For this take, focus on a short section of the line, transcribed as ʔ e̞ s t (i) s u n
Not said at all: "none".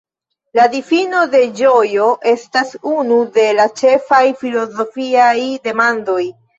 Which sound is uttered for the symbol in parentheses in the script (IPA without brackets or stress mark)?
a